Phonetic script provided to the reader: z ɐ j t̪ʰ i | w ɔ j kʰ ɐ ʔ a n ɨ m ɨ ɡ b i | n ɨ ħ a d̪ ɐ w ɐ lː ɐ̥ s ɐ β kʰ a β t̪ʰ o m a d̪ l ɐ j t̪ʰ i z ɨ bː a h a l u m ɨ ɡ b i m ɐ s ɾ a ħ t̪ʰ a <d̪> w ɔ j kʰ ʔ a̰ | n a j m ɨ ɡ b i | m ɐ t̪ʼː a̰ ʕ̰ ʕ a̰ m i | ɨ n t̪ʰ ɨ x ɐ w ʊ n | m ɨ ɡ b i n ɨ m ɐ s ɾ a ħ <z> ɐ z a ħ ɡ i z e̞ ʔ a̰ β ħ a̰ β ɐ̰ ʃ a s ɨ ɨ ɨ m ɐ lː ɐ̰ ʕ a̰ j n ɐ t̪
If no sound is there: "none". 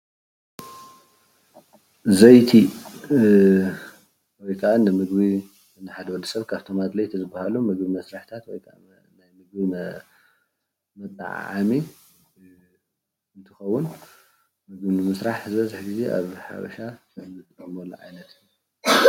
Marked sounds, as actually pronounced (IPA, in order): t̪, z

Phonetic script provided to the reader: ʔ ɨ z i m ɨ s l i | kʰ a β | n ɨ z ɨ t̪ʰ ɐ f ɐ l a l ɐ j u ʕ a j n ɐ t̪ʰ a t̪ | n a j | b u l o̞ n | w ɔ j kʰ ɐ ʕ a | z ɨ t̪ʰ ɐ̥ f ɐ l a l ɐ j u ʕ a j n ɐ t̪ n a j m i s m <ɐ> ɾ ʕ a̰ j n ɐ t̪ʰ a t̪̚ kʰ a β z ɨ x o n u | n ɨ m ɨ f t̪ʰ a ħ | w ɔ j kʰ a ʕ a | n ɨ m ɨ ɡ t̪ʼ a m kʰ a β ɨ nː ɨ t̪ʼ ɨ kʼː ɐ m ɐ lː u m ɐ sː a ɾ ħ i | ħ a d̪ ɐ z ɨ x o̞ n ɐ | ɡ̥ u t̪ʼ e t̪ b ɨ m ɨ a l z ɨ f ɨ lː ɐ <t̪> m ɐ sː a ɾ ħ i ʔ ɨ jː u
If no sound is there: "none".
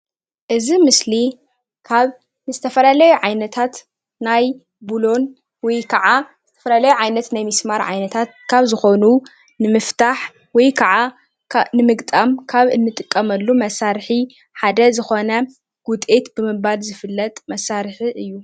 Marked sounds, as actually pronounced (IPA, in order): a, t̪ʼ

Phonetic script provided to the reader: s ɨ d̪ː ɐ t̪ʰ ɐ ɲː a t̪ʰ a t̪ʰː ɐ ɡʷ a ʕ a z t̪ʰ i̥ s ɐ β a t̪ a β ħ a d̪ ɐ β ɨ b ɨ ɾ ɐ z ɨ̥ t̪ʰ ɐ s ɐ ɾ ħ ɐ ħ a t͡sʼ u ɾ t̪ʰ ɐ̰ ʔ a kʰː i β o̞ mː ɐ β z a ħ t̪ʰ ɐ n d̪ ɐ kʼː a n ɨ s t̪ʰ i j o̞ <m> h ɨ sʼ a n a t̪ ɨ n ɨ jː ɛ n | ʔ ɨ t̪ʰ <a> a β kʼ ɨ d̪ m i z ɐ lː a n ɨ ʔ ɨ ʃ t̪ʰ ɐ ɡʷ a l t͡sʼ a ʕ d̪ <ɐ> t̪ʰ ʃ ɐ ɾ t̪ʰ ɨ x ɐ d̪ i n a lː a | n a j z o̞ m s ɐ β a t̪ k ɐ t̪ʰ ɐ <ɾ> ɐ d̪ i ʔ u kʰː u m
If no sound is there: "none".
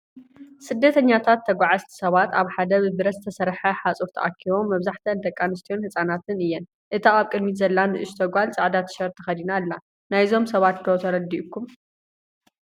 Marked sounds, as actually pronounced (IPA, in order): n, a, a, ɾ

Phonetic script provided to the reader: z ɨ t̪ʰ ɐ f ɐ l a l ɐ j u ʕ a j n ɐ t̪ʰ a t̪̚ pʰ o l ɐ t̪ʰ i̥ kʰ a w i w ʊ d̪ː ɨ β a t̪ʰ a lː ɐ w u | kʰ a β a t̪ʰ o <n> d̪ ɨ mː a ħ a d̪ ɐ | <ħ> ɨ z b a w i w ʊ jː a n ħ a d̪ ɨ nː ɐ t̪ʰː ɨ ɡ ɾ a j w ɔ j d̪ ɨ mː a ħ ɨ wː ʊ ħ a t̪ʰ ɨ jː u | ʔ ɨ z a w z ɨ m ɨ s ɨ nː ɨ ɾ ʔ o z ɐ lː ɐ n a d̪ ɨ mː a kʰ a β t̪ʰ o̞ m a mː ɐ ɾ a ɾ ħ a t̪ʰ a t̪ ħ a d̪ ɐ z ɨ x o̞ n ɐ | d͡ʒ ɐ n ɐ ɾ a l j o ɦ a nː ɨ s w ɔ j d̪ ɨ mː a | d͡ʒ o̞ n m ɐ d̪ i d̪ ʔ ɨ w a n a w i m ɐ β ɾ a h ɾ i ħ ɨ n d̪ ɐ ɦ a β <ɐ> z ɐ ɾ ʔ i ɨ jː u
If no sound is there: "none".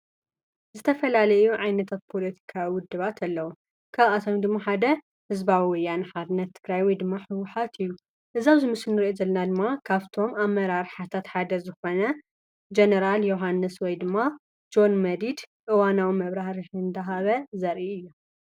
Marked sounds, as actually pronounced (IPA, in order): m, h, ɐ

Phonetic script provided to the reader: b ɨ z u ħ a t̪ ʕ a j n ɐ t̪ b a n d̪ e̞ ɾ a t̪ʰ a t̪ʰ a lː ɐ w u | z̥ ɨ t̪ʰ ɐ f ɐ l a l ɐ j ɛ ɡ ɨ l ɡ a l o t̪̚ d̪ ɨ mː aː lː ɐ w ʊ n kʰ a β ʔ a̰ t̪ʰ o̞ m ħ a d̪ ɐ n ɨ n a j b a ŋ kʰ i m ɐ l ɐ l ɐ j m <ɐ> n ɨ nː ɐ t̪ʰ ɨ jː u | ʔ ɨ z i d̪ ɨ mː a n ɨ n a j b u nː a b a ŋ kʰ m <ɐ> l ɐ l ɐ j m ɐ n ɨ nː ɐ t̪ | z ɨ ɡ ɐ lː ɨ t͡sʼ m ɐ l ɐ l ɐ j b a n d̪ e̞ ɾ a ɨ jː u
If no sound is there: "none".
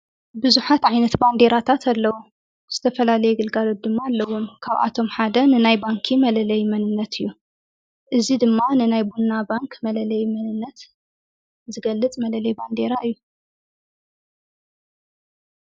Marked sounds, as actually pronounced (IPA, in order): ɐ, ɐ

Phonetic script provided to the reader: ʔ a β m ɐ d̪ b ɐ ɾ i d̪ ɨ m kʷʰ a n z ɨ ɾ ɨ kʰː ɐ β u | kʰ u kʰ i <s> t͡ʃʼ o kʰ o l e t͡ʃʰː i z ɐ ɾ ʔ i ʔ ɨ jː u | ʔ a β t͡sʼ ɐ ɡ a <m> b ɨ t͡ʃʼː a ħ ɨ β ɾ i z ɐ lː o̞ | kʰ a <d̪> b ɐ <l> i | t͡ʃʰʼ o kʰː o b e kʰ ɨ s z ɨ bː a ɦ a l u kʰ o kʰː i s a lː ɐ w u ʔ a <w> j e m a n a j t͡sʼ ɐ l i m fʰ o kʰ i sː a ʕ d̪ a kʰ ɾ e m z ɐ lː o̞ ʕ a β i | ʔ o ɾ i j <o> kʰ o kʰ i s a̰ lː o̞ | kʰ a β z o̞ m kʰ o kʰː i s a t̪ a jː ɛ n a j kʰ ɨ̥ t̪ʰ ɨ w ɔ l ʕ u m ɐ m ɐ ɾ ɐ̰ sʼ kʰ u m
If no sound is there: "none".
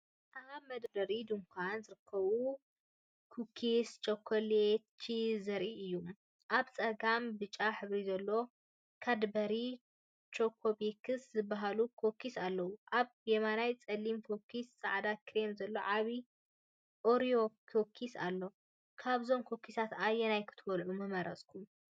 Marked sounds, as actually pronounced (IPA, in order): s, m, d̪, ɾ, β, o

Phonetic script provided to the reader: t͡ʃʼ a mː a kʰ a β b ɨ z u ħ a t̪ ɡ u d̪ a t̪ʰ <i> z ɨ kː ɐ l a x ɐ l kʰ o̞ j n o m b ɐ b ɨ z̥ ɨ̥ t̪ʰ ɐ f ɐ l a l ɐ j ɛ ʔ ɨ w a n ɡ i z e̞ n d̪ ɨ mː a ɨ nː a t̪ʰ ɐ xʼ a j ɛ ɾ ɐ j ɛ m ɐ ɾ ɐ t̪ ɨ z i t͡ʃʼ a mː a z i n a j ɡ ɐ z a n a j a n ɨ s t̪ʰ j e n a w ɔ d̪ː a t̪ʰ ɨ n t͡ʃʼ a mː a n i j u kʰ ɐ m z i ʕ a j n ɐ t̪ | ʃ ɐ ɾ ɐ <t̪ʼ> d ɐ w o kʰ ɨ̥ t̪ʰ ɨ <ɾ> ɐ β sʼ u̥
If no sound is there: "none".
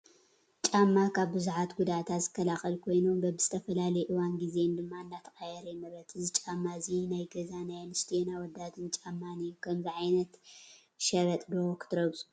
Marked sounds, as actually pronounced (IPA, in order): a, t̪ʼ, ɾ

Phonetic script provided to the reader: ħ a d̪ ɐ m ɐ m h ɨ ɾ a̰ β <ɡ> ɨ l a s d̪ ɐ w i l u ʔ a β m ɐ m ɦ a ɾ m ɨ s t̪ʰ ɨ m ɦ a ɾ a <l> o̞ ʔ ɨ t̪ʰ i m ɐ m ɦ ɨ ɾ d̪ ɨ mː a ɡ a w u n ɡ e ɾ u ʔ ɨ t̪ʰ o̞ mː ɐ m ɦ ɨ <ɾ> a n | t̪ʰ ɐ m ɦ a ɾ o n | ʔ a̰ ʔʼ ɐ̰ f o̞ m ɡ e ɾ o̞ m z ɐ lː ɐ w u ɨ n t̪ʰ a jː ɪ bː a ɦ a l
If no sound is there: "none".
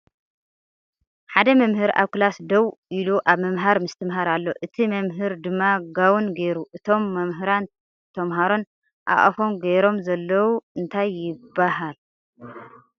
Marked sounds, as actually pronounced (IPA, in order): k, lː, ɾ

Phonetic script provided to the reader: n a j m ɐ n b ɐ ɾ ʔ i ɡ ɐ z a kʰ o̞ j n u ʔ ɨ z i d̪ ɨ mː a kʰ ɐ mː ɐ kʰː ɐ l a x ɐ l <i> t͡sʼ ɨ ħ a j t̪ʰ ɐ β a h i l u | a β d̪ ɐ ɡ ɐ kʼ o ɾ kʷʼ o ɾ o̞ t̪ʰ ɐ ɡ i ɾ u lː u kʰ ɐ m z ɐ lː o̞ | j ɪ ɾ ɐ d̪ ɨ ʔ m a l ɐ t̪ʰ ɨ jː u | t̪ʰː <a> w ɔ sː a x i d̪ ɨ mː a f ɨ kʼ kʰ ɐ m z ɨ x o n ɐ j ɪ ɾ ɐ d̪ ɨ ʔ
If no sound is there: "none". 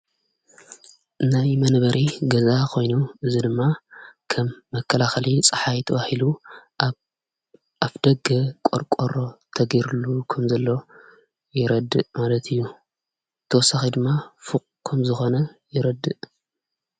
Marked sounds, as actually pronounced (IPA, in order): i, ɐ

